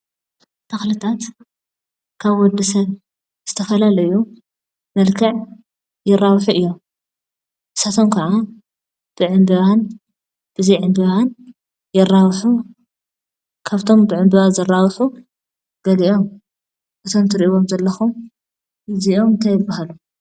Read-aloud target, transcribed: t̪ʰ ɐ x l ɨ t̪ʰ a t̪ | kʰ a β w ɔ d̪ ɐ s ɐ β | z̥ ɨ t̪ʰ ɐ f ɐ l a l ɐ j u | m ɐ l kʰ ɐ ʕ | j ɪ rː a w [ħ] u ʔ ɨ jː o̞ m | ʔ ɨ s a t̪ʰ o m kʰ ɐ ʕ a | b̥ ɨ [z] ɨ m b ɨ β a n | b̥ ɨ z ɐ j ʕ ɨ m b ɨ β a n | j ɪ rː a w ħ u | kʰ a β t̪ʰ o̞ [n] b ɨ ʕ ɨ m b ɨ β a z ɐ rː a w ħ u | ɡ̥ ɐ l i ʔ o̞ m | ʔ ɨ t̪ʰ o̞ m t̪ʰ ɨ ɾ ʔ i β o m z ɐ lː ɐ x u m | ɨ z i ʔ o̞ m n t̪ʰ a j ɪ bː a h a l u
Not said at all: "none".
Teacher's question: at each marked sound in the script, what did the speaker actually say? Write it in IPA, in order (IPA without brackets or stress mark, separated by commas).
ħ, ʕ, m